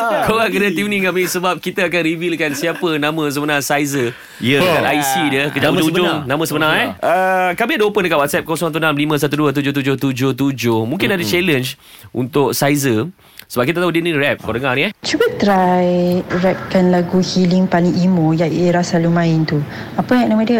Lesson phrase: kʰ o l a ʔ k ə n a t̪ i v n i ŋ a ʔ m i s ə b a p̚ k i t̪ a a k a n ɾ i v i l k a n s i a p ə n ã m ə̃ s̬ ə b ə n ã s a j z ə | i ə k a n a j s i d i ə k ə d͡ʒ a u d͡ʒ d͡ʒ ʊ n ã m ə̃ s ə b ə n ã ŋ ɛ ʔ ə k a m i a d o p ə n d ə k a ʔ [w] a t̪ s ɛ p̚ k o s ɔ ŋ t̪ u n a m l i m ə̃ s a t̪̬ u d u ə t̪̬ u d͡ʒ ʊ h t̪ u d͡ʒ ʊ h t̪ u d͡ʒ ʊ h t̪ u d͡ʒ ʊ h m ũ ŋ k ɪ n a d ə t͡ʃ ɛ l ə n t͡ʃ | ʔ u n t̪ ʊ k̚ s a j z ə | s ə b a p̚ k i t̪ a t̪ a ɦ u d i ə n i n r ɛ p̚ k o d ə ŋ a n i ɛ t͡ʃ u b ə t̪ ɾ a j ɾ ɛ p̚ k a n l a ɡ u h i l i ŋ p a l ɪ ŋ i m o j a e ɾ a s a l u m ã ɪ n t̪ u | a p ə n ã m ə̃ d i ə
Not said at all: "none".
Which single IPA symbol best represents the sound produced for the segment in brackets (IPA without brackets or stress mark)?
w